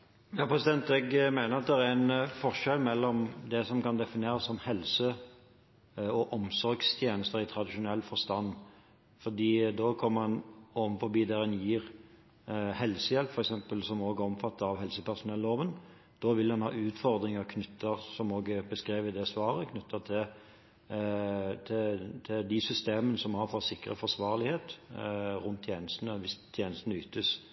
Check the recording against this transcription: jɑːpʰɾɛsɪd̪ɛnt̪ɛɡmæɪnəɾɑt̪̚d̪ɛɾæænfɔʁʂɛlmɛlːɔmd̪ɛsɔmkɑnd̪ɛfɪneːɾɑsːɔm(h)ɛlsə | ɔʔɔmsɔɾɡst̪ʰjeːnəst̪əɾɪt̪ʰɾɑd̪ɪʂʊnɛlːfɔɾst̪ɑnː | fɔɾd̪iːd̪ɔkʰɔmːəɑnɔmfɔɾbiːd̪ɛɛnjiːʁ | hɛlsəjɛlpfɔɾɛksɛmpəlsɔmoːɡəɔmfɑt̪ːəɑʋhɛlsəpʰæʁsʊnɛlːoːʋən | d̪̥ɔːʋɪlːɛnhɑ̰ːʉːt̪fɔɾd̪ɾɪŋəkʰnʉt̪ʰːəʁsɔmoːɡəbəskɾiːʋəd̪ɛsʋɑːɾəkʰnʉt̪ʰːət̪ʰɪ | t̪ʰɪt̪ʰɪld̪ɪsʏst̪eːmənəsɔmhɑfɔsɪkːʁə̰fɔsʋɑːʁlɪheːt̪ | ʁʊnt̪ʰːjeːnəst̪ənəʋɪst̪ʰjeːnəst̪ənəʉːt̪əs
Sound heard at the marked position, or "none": h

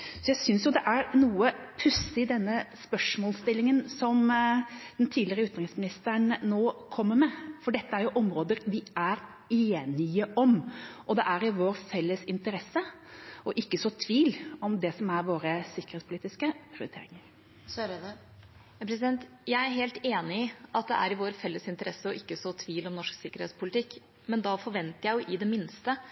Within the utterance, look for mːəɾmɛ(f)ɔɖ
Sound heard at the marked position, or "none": f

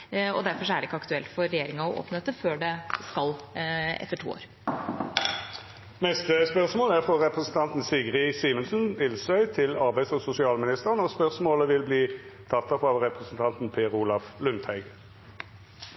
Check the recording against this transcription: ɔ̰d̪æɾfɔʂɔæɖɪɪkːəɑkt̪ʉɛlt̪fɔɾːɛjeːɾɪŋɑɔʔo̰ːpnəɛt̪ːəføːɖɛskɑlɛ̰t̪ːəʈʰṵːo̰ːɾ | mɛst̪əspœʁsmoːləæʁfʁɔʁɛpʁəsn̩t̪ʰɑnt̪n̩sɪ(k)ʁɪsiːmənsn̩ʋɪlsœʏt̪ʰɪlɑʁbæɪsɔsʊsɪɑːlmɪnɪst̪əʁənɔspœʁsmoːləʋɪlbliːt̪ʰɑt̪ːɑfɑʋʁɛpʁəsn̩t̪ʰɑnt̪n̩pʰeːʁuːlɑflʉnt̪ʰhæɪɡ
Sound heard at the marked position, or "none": ɡ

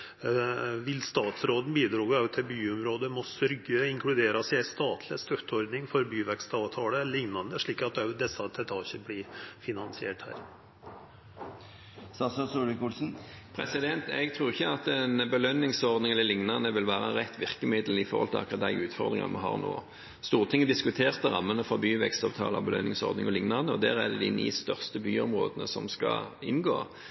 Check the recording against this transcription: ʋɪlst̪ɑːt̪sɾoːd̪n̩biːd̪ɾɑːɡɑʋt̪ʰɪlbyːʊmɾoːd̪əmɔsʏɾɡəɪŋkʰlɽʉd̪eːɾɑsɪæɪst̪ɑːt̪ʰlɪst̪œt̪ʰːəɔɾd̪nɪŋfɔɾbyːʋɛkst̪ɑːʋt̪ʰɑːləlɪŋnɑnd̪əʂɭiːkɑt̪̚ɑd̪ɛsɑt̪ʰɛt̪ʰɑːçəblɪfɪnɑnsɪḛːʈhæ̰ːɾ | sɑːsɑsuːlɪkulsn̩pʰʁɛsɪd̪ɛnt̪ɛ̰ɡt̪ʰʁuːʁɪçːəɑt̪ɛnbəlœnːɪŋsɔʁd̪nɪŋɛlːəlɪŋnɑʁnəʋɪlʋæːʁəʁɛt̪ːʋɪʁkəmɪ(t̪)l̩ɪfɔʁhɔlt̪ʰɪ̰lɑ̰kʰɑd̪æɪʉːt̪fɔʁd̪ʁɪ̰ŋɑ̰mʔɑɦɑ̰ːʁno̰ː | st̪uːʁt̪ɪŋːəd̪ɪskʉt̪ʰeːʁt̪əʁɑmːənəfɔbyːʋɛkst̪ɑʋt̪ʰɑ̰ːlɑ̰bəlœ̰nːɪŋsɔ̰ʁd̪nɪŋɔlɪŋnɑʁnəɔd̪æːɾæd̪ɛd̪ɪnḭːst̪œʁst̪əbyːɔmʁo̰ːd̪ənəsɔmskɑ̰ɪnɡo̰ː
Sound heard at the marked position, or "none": d̪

